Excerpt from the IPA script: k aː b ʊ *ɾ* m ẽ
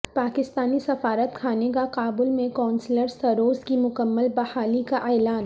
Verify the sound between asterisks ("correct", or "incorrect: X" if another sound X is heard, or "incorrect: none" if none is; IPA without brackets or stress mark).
incorrect: l